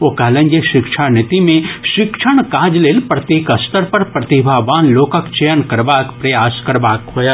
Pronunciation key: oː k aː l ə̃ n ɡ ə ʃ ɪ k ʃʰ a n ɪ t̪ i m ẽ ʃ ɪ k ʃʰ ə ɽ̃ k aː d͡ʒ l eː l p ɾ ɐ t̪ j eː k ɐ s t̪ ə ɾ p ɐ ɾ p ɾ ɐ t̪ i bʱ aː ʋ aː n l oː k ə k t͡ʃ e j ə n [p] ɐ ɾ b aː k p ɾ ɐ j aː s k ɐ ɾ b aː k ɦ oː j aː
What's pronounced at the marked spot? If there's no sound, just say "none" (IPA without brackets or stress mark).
k